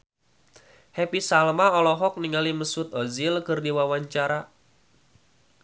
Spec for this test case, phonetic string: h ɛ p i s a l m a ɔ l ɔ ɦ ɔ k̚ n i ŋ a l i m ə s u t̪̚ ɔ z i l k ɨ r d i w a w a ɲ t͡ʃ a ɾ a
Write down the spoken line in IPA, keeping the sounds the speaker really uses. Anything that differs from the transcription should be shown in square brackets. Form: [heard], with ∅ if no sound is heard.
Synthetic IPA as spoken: h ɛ p i s a l m a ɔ l ɔ ɦ ɔ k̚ n i ŋ a l i m ə s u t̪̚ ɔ z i l k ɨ r d i w a w a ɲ t͡ʃ a ɾ a